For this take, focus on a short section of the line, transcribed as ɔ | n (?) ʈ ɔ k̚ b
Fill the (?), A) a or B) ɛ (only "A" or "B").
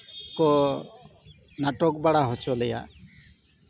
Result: A